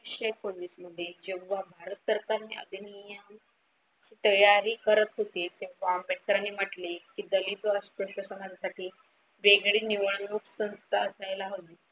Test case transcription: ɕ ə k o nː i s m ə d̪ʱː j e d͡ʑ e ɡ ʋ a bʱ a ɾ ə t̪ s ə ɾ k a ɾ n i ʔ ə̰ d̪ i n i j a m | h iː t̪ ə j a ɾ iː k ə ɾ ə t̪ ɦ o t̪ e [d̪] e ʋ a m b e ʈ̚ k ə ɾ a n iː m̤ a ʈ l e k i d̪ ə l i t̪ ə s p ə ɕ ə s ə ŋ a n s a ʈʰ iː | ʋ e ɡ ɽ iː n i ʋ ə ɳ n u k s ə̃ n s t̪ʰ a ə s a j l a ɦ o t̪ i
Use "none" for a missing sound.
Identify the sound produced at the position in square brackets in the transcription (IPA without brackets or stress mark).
t̪